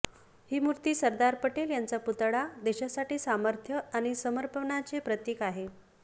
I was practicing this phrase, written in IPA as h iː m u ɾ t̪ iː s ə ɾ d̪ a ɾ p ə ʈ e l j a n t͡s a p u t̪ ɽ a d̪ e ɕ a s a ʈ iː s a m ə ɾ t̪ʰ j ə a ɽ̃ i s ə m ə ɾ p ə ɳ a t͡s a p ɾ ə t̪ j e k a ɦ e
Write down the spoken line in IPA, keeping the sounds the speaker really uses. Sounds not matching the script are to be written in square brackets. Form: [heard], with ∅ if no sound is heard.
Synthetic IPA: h iː m u ɾ t̪ iː s ə ɾ d̪ a ɾ p ə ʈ e l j a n t͡s a p u t̪ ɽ a d̪ e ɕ a s a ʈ iː s a m ə ɾ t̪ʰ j ə a ɽ̃ i s ə m ə ɾ p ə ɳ a t͡s [e] p ɾ ə t̪ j e k a ɦ e